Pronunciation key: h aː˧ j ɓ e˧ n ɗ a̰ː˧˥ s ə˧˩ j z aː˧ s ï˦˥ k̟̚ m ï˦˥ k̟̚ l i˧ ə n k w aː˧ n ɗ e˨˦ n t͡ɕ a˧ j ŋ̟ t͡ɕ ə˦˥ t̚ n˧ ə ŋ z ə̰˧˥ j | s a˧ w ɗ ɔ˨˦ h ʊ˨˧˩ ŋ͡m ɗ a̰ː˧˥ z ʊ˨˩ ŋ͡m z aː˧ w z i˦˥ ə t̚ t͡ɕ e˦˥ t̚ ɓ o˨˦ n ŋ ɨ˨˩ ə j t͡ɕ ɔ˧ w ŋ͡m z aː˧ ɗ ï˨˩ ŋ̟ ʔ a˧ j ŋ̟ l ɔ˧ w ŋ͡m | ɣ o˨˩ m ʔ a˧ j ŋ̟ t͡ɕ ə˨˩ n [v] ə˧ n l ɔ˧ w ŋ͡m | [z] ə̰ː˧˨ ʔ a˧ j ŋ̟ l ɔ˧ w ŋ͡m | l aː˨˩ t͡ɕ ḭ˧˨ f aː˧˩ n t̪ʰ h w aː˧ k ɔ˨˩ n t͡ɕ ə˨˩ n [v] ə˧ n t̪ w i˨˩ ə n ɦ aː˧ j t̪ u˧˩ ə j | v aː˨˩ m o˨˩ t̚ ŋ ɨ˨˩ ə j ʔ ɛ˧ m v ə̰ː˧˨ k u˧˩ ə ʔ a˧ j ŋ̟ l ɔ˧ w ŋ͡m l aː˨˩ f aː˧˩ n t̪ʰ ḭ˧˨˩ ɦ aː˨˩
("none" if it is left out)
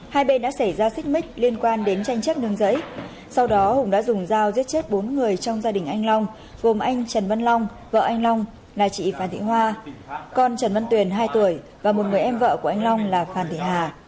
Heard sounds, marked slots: v, v, v

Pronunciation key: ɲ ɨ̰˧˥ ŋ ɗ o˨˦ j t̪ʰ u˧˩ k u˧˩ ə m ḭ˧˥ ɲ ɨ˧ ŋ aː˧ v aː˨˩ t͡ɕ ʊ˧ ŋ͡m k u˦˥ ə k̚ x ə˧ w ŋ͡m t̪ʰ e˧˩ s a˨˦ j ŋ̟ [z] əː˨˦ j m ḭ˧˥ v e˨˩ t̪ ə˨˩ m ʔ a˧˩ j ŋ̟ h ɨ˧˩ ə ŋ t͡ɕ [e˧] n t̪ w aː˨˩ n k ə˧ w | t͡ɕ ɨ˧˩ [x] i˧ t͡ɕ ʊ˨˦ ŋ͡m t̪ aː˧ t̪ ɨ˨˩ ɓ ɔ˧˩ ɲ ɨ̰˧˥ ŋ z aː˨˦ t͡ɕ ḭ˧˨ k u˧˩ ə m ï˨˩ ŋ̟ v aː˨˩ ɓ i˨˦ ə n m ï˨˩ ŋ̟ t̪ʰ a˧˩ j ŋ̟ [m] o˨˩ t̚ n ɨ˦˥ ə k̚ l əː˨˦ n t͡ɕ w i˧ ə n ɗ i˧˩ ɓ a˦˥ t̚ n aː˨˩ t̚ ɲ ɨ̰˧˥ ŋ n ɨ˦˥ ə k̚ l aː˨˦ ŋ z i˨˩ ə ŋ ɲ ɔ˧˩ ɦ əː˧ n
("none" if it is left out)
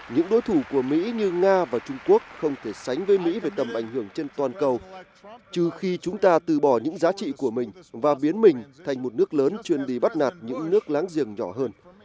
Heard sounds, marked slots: v, e˧, x, m

